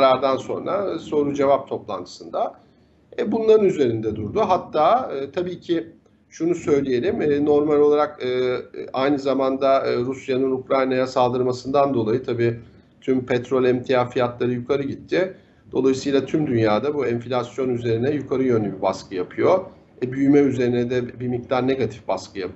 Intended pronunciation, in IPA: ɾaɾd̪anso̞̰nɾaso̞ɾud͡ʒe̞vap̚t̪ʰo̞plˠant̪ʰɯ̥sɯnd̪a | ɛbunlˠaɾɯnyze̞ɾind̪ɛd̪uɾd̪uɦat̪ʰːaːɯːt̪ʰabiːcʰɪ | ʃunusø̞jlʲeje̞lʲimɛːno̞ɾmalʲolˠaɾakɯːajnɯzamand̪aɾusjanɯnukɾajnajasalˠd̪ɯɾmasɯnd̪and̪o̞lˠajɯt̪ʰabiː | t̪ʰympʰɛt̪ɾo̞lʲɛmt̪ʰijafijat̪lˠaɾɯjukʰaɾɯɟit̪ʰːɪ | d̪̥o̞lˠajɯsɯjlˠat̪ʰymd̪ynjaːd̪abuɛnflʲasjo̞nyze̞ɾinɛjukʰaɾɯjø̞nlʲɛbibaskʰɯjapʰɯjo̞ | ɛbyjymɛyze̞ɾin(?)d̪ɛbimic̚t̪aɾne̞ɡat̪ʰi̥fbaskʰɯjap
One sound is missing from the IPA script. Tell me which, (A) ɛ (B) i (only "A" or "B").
A